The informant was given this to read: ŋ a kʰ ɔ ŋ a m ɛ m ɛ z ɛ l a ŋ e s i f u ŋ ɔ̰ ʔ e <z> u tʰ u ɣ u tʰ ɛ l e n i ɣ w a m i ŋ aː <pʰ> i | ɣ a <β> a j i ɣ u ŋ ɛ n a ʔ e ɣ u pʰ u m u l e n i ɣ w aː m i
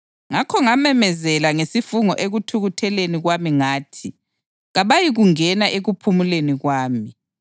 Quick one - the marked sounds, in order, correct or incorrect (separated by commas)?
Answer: incorrect, incorrect, correct